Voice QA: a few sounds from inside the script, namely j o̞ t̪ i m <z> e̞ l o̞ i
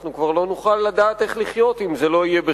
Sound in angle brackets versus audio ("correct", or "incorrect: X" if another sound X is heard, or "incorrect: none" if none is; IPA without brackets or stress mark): correct